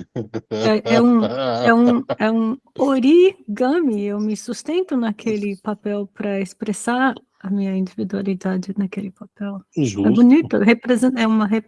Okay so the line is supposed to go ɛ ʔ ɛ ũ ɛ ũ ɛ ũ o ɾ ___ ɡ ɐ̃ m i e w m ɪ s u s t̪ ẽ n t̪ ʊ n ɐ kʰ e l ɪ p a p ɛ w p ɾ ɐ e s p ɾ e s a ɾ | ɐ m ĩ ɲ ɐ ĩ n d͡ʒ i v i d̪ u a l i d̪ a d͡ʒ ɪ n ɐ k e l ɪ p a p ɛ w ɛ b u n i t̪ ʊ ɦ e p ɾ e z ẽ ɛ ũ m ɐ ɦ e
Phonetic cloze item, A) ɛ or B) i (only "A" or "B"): B